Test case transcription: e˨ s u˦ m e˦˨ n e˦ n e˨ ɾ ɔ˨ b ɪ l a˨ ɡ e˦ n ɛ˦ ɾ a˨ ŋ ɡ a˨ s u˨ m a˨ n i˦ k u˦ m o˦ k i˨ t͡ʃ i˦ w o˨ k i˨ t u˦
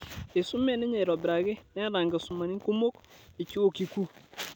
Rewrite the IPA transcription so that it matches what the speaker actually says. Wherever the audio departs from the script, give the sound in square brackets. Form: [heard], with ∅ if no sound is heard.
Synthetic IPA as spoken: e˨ s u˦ m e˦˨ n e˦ [ɲ] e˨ ɾ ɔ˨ b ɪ [ɾ] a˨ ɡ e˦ n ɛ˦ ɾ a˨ ŋ ɡ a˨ s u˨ m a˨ n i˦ k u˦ m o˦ k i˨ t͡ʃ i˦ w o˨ k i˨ [k] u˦